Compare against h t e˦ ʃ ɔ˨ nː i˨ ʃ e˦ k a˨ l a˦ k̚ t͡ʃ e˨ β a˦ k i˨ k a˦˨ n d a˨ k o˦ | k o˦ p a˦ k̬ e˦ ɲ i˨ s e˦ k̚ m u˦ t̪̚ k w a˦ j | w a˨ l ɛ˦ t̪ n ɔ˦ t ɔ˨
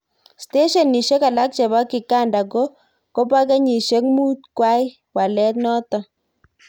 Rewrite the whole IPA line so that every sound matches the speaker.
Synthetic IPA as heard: s t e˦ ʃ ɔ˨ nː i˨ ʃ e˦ k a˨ l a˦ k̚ t͡ʃ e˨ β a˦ k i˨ k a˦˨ n d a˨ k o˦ | k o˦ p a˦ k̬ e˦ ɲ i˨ ʃ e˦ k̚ m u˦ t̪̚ k w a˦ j | w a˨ l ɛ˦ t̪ n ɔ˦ t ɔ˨